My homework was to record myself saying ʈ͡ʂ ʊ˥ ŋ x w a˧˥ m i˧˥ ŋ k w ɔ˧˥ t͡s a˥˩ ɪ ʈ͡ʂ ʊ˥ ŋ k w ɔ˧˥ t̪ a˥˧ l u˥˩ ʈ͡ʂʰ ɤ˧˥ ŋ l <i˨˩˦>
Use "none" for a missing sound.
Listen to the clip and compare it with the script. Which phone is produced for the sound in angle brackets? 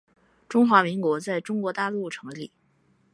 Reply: i˨˩˦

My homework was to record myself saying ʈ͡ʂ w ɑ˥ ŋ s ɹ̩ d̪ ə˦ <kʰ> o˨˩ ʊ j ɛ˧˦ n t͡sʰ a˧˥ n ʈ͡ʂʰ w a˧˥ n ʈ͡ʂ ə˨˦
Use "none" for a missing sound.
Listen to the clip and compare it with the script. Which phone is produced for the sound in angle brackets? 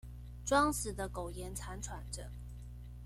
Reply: k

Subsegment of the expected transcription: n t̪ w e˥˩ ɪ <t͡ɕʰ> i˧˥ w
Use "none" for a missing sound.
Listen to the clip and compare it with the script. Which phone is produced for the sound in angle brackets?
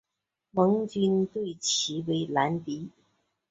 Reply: t͡ɕʰ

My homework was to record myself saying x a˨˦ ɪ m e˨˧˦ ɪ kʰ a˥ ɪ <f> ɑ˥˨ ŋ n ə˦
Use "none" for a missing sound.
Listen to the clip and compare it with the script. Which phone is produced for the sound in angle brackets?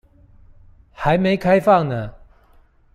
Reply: f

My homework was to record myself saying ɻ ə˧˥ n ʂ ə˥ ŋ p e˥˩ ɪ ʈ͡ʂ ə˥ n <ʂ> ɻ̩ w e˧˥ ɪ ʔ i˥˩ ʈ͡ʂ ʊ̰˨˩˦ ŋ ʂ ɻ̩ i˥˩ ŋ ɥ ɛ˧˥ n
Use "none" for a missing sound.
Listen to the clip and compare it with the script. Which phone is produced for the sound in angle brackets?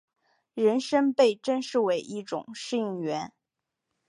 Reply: ʂ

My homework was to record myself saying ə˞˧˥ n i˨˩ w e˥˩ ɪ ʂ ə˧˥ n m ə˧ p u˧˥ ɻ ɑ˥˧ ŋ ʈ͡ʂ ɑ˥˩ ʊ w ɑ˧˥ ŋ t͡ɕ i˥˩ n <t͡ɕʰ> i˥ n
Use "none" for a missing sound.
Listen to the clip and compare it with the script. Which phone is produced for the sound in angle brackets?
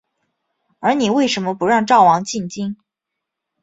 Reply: t͡ɕ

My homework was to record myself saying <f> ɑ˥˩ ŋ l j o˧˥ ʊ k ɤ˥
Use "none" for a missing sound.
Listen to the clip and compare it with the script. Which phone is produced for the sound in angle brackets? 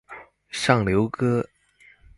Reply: ʂ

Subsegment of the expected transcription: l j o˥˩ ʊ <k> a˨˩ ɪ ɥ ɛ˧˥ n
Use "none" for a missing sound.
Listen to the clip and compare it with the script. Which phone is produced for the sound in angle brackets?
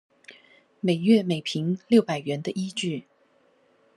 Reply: p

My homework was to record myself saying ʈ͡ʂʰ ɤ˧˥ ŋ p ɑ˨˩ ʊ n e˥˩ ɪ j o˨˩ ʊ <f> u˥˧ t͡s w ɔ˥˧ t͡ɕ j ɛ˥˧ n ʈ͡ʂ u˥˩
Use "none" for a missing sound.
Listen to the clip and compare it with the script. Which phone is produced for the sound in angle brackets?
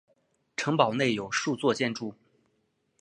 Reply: ʂ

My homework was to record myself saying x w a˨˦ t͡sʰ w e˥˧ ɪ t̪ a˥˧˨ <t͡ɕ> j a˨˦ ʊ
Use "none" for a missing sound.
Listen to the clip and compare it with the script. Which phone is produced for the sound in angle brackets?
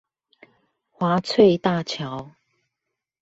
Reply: t͡ɕʰ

